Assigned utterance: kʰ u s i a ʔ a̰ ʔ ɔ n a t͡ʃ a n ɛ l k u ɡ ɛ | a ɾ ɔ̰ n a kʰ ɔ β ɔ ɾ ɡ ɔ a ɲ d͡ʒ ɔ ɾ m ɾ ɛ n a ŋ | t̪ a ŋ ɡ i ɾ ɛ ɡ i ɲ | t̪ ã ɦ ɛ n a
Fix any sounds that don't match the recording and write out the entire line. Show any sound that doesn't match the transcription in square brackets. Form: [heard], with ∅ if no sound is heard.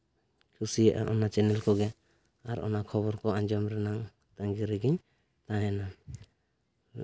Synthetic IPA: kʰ u s i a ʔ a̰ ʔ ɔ n a t͡ʃ [ɛ] n ɛ l k [ɔ] ɡ ɛ | a ɾ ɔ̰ n a kʰ ɔ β ɔ ɾ [k] ɔ a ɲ d͡ʒ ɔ [∅] m ɾ ɛ n a ŋ | t̪ a ŋ ɡ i ɾ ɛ ɡ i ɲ | t̪ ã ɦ ɛ n a